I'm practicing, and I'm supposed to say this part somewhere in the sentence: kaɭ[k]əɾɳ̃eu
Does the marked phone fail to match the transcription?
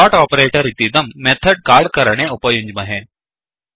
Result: no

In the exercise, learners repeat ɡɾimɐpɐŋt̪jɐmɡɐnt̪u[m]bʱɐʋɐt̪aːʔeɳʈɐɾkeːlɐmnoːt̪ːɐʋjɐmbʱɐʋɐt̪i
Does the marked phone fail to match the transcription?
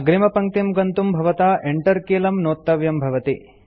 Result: no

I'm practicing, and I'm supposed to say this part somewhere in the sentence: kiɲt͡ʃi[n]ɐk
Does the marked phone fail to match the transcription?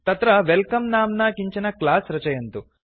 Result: no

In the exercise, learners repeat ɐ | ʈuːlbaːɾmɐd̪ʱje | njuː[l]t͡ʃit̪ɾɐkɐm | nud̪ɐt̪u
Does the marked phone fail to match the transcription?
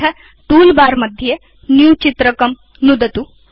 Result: yes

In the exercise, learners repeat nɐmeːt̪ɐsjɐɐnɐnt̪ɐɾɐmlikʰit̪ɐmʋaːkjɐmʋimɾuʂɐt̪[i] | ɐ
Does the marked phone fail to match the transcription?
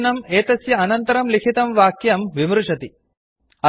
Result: no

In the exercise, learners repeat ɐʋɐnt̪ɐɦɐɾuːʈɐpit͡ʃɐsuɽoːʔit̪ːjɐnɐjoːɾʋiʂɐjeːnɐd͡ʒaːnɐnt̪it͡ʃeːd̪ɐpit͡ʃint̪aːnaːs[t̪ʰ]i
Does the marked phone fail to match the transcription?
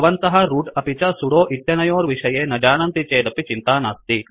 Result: yes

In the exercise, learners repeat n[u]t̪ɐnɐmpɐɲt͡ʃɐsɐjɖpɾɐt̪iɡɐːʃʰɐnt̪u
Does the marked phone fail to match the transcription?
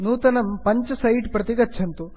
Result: yes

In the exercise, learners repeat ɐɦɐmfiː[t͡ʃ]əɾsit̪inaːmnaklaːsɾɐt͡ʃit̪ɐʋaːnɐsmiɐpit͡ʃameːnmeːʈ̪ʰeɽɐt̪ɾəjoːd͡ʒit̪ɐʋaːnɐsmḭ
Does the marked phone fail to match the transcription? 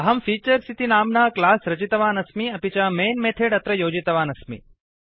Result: no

